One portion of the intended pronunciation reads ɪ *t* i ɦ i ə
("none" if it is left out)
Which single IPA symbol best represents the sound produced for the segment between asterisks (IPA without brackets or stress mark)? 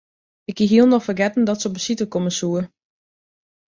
k